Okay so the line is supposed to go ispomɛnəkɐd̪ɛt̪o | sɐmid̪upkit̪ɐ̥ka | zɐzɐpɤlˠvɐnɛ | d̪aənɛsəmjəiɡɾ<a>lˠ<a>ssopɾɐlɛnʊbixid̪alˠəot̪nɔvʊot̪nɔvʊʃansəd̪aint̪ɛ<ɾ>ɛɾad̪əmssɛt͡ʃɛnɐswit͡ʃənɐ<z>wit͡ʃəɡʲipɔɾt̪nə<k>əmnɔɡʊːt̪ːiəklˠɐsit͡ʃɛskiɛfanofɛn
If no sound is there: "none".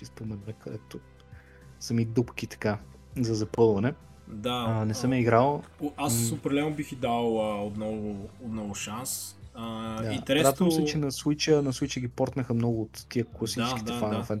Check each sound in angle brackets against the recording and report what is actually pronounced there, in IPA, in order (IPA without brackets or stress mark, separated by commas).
a, a, ɾ, s, x